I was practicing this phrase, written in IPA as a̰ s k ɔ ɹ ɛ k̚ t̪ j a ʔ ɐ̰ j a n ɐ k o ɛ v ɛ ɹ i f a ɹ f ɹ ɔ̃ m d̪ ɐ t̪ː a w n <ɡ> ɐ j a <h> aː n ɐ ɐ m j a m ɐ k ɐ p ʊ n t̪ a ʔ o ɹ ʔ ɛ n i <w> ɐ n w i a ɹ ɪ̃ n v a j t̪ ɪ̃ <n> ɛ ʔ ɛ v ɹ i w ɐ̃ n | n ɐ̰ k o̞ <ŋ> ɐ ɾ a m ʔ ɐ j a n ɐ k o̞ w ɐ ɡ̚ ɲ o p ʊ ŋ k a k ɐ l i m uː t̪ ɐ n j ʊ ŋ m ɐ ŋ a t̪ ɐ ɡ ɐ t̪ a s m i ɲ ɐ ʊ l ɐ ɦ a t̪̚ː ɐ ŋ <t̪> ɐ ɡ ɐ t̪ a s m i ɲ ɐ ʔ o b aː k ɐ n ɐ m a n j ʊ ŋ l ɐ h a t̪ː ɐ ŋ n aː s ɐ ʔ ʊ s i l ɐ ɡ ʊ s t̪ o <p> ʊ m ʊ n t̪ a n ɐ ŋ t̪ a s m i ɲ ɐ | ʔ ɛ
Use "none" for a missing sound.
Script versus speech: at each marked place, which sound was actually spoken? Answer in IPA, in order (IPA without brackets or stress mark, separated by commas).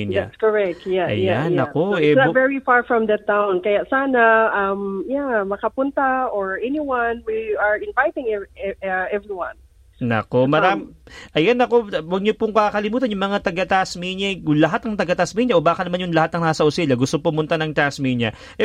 k, s, w, ŋ, m, t̪, p